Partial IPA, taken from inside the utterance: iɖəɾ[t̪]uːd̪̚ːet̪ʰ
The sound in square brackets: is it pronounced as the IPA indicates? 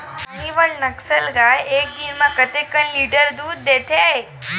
no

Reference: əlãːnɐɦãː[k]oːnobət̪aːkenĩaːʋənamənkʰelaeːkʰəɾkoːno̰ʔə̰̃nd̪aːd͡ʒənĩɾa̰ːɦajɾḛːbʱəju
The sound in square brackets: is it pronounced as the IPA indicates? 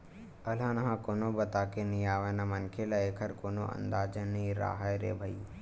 yes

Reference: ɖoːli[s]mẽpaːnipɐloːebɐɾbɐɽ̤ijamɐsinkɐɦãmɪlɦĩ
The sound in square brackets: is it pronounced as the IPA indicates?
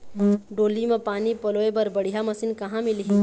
no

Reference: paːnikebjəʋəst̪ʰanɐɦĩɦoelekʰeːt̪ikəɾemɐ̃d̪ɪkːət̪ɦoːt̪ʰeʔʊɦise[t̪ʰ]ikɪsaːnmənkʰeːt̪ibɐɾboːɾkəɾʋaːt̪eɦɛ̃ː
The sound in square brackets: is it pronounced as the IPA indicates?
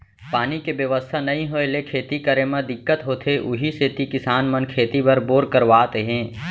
no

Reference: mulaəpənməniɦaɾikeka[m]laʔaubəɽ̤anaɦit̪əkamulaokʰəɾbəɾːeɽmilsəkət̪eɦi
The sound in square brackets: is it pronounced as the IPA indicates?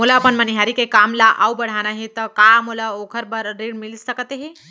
yes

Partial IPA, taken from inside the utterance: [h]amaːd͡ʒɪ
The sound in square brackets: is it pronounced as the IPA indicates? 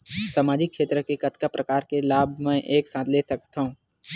no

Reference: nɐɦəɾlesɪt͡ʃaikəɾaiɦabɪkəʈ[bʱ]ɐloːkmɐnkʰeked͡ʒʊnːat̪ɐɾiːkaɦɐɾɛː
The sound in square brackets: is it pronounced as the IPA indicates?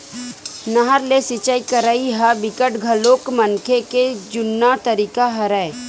no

